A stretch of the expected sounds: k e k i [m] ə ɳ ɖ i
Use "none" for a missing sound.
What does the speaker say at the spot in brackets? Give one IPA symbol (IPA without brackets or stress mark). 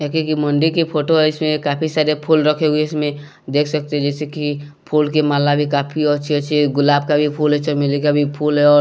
m